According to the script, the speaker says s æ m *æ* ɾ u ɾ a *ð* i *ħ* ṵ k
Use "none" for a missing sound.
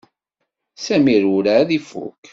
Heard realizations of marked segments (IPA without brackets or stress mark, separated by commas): i, ð, f